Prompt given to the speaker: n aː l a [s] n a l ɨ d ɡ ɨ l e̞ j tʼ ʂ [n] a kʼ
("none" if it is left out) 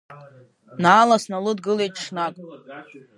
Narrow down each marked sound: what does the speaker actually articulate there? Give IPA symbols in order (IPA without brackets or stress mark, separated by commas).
s, n